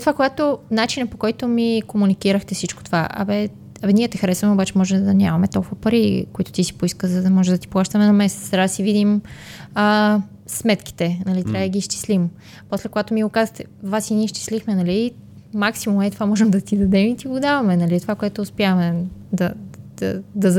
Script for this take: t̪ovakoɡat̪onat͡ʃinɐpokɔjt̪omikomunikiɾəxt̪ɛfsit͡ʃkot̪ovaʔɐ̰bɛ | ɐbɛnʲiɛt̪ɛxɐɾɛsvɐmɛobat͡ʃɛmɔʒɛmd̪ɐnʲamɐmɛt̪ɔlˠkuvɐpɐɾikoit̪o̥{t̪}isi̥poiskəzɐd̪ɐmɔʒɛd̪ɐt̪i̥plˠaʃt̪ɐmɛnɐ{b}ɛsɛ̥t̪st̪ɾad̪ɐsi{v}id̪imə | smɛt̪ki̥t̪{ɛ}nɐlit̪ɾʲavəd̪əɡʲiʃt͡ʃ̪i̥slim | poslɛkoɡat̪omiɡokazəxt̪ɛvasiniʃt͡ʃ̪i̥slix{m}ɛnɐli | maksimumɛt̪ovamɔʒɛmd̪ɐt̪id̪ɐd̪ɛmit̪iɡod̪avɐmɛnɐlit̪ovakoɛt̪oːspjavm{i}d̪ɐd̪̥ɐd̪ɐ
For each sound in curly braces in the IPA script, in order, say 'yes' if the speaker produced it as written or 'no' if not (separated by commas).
yes, no, yes, yes, yes, no